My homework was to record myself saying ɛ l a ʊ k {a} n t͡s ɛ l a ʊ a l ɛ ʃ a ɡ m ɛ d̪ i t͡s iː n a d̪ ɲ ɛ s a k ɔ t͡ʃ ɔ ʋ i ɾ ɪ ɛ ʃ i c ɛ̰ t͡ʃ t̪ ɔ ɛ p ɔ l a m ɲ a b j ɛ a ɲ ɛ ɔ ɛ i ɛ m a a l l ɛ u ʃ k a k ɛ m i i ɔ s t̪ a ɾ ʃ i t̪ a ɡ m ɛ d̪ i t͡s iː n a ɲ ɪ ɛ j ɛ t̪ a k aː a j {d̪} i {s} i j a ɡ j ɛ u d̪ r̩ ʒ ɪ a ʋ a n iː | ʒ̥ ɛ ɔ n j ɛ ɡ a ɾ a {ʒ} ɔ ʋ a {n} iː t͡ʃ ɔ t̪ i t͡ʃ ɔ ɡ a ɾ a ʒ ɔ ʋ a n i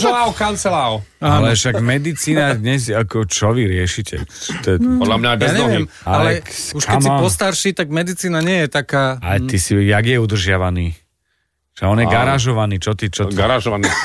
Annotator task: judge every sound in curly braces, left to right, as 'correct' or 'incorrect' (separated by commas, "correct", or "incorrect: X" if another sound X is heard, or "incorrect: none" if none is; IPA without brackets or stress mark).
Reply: correct, incorrect: t̪, correct, correct, correct